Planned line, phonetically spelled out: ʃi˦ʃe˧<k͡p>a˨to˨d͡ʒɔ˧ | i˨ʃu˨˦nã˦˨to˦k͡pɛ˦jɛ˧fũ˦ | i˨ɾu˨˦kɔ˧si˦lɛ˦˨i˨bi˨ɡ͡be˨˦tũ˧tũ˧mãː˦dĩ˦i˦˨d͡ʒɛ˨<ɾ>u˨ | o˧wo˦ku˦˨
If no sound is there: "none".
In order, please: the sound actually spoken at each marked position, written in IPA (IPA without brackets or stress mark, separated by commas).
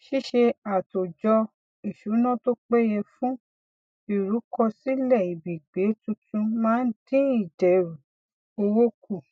none, ɾ